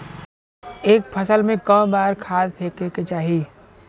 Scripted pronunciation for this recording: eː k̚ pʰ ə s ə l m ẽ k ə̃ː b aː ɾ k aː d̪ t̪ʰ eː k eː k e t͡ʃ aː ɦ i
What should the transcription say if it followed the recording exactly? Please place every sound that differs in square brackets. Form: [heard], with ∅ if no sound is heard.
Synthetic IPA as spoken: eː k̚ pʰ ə s ə l m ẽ k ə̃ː b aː ɾ [kʰ] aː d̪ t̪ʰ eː k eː k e t͡ʃ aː ɦ i